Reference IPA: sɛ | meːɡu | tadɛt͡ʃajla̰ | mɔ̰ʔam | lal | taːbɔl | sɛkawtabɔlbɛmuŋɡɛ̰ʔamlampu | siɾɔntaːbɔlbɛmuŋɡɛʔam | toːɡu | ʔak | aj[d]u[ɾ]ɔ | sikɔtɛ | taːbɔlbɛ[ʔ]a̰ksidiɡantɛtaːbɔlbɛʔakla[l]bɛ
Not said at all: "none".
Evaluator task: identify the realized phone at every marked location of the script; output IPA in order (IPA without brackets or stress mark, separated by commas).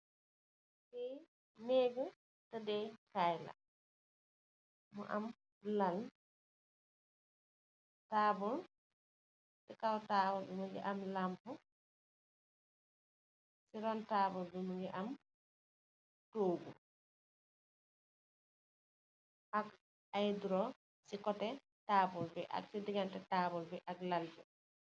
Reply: d, ɾ, ʔ, l